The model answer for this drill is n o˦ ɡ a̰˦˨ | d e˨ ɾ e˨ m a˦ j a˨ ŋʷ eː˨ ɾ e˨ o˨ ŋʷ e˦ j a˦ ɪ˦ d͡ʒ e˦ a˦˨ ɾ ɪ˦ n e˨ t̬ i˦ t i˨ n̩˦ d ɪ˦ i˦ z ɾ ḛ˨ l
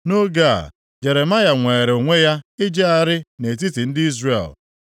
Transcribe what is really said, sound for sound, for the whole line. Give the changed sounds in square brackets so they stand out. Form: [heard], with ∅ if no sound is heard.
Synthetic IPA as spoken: n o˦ ɡ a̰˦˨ | [d͡ʒ] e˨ ɾ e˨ m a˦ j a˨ ŋʷ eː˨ ɾ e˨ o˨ ŋʷ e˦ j a˦ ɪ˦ d͡ʒ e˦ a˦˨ ɾ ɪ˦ n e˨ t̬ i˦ t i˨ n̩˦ d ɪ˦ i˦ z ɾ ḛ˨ l